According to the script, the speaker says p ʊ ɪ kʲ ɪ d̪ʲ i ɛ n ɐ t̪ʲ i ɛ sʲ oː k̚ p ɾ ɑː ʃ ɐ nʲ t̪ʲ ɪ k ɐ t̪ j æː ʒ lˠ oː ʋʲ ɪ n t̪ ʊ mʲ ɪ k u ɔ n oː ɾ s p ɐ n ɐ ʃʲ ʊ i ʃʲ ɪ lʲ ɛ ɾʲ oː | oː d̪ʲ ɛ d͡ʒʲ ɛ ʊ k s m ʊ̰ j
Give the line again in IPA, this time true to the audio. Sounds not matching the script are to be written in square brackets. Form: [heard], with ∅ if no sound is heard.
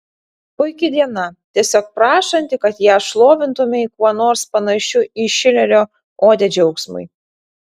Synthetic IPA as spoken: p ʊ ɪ kʲ ɪ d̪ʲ i ɛ n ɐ t̪ʲ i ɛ sʲ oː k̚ p ɾ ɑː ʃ ɐ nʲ t̪ʲ ɪ k ɐ t̪ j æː [ʃ] lˠ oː ʋʲ ɪ n t̪ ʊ mʲ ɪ k u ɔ n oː ɾ s p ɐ n ɐ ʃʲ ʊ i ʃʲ ɪ lʲ ɛ ɾʲ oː | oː d̪ʲ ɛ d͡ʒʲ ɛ ʊ k s m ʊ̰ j